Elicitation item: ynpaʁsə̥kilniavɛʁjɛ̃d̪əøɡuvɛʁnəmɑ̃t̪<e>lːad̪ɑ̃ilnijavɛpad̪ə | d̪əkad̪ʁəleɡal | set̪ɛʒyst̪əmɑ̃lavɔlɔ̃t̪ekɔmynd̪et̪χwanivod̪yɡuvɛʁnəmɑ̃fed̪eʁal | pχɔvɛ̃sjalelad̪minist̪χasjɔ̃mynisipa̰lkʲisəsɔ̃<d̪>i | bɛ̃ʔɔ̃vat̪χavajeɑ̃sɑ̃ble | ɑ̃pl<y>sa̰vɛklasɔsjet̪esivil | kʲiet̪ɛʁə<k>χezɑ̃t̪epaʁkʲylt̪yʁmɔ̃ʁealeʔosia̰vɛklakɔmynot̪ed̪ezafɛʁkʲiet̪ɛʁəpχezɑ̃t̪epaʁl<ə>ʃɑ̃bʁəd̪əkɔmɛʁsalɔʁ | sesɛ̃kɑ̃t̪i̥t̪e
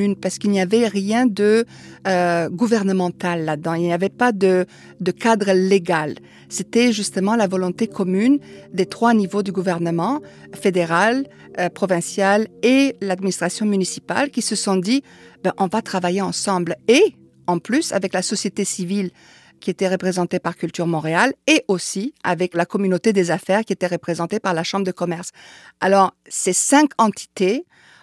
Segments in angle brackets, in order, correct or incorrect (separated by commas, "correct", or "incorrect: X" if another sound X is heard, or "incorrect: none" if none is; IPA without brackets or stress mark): incorrect: a, correct, correct, incorrect: p, incorrect: a